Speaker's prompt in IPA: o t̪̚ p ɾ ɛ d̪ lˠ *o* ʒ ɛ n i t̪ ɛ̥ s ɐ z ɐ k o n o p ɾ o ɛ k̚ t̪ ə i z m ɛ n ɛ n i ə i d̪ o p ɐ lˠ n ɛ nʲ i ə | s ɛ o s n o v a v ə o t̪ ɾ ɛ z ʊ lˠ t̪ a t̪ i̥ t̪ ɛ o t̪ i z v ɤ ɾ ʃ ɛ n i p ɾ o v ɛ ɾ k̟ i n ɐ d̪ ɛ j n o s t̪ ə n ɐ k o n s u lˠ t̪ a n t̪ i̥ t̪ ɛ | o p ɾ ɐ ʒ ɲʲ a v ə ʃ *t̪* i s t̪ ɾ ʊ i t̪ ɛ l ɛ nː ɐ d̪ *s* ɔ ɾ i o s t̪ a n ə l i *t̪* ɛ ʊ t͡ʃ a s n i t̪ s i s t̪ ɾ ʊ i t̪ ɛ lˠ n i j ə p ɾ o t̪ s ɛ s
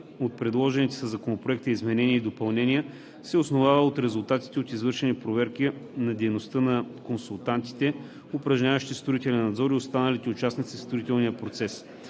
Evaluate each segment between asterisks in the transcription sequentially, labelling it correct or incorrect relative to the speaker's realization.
incorrect: ɔ, correct, incorrect: z, correct

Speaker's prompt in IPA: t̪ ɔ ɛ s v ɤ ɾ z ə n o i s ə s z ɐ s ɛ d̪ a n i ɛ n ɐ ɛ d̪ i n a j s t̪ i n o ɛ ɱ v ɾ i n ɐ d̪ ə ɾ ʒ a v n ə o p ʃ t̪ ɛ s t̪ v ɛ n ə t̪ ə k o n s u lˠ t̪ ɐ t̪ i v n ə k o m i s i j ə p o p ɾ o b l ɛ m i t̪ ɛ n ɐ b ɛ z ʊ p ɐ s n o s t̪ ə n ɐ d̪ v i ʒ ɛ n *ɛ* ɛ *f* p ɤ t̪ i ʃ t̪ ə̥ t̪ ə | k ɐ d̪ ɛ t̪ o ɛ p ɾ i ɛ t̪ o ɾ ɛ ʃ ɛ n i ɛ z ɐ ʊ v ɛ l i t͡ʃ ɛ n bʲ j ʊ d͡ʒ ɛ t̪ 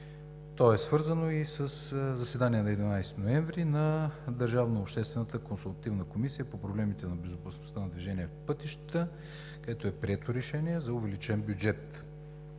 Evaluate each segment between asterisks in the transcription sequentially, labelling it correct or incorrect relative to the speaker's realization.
incorrect: i, correct

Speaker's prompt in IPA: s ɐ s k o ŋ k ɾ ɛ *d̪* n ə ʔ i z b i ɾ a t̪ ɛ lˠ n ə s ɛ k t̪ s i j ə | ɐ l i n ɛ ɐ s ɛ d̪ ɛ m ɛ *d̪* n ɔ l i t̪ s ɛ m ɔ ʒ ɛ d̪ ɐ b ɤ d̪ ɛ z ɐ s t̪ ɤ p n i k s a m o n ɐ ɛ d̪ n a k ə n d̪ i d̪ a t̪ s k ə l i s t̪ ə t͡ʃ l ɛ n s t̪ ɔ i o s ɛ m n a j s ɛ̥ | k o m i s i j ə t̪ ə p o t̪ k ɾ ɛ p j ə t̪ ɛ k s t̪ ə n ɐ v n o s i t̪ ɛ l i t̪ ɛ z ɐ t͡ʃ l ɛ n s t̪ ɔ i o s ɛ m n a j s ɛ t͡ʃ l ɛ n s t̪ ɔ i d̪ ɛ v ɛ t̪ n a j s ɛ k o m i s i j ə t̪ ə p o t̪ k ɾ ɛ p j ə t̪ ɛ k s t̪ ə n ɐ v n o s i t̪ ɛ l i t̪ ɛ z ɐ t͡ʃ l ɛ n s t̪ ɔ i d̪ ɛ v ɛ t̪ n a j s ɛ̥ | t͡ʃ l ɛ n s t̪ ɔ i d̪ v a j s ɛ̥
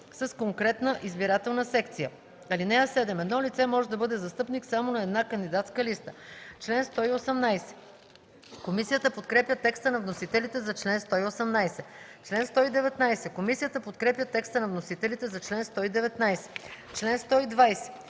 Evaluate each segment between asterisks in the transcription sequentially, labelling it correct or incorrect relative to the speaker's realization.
incorrect: t̪, correct

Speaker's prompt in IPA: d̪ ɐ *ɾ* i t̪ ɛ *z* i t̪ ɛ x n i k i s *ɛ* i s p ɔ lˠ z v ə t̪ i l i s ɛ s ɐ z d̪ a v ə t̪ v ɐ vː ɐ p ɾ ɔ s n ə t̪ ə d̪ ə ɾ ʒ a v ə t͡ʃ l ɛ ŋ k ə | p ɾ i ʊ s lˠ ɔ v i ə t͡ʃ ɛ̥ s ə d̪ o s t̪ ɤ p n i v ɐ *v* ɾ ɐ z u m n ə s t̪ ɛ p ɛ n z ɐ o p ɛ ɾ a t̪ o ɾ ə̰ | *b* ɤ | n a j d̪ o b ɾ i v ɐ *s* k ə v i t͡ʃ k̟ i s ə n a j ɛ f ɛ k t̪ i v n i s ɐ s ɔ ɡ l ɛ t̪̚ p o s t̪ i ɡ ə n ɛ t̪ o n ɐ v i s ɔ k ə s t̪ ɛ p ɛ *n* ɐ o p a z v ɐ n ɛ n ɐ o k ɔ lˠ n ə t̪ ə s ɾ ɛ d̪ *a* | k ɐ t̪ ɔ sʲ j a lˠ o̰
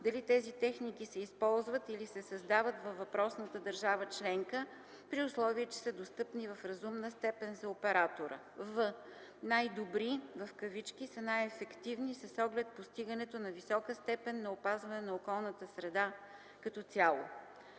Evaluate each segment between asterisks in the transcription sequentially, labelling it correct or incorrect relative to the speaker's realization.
incorrect: l, correct, correct, incorrect: f, incorrect: v, incorrect: f, incorrect: nː, correct

